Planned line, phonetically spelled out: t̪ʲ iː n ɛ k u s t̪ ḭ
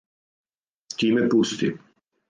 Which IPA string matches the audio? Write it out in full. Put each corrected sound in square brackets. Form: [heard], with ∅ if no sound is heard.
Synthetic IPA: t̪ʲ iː [m] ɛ [p] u s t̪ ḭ